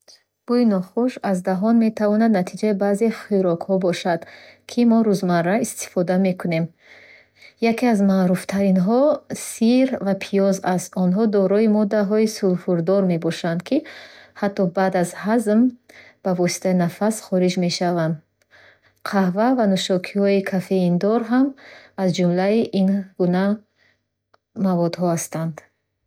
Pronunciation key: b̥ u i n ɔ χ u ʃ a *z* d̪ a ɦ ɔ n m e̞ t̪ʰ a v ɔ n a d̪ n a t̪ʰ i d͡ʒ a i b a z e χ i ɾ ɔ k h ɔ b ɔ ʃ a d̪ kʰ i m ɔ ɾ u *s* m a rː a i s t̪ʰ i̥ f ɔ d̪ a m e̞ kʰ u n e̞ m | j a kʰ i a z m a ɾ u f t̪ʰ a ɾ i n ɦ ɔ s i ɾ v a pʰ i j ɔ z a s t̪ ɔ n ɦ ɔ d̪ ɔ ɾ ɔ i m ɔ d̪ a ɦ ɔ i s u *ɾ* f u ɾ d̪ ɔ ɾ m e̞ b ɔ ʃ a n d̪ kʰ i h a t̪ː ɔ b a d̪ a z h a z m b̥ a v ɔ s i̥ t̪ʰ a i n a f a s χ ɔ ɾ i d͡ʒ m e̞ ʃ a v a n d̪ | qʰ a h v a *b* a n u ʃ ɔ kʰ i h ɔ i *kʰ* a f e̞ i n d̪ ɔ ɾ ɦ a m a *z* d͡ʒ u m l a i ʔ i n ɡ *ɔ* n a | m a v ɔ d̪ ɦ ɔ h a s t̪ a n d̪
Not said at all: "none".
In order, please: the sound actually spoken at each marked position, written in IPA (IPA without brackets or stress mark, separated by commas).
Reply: z, z, l, v, kʰ, z, u